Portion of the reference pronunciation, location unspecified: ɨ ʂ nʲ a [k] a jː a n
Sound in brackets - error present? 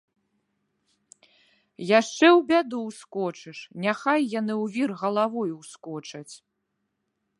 yes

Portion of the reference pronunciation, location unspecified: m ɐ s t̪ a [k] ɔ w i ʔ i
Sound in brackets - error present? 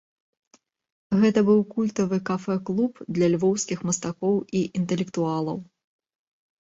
no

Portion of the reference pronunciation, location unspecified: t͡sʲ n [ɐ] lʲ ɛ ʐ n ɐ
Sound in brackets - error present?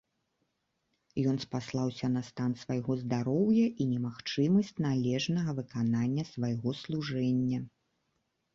yes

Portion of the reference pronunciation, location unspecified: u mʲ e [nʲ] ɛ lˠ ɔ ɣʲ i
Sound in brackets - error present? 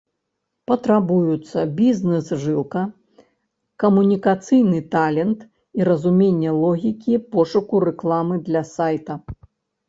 yes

